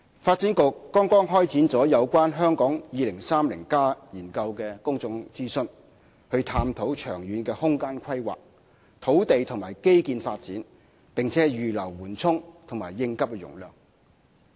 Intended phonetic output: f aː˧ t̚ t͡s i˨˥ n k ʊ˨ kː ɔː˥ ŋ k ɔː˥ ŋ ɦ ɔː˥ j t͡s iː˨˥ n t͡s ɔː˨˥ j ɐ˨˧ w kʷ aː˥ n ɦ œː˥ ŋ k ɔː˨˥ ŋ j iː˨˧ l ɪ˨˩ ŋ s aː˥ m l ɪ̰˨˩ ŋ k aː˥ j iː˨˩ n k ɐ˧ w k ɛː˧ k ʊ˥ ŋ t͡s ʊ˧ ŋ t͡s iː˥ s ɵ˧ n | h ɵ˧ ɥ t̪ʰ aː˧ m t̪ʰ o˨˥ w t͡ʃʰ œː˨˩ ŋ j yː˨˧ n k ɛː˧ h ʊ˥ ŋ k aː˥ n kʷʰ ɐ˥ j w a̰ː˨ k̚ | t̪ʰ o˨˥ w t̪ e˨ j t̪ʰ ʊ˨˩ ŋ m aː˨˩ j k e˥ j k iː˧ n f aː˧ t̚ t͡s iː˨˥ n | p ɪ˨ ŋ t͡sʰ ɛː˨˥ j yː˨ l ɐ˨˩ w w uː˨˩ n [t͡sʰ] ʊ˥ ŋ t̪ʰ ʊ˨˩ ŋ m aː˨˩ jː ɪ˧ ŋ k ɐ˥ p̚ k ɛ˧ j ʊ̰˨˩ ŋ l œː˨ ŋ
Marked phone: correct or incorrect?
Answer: correct